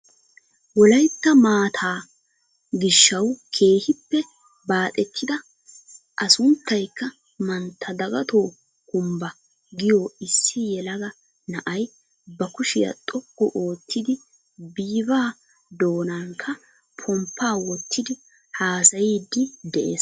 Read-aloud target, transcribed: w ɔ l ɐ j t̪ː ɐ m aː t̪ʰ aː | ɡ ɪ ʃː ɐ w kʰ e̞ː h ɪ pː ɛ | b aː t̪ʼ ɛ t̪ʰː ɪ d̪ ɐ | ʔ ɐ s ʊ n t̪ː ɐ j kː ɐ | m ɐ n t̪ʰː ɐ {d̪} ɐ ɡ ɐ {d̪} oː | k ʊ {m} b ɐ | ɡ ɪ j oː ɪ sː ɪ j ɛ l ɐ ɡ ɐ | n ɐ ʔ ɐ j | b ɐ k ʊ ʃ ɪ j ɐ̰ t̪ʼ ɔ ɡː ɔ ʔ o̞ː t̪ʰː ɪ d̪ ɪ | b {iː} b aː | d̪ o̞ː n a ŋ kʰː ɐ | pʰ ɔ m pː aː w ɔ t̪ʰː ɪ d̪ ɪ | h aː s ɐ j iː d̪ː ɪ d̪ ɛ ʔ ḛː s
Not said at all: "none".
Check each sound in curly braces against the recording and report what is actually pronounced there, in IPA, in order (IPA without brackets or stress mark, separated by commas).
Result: d̪, t̪, m, iː